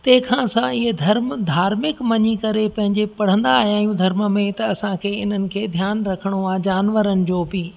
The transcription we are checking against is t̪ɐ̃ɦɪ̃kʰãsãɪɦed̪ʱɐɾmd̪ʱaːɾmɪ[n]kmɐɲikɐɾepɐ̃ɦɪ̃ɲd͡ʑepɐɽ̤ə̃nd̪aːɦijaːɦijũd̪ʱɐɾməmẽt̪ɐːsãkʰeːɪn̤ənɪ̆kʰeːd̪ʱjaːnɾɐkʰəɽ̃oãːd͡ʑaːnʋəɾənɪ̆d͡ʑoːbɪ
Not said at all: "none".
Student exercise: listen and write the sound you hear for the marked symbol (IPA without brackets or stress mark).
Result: none